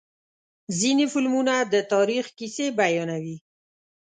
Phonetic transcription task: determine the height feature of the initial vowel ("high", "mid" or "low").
high